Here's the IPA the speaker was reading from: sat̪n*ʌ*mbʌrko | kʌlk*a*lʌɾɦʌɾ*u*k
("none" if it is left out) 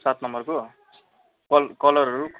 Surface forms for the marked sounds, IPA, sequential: ʌ, ʌ, u

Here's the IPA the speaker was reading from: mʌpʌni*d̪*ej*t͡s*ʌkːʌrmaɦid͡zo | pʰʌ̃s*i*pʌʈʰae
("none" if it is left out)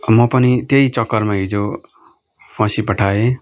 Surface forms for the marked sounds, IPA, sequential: t̪, t͡s, i

